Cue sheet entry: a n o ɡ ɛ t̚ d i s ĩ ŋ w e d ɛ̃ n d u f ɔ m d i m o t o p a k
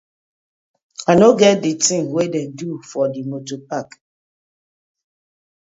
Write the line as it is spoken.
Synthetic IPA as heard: a n o ɡ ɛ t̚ d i t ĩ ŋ w e d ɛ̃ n d u f ɔ d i m o t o p a k